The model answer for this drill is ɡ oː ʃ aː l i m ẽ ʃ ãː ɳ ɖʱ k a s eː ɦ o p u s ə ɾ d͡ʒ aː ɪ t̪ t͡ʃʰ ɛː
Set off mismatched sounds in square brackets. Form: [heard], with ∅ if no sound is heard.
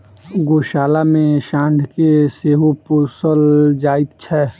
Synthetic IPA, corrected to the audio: ɡ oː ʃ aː l [a] m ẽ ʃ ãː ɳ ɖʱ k [e] s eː ɦ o p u s ə [l] d͡ʒ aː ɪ t̪ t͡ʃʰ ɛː